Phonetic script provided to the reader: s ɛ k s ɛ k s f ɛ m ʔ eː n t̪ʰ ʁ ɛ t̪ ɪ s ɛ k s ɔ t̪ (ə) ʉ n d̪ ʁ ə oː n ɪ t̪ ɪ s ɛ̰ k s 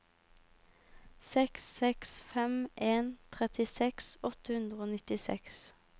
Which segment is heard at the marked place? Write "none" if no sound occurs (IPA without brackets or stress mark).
ə